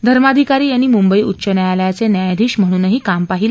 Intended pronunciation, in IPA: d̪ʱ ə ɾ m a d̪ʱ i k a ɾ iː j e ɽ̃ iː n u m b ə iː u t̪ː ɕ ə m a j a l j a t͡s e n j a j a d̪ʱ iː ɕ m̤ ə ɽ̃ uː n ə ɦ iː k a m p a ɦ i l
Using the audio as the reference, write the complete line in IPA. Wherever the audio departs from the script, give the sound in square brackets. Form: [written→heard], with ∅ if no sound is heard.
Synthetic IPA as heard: d̪ʱ ə ɾ m a d̪ʱ i k a ɾ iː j [e→a] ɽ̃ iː [n→m] u m b ə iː u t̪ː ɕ ə [m→n] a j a l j a t͡s e n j a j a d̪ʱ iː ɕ m̤ ə ɽ̃ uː n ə ɦ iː k a m p a ɦ i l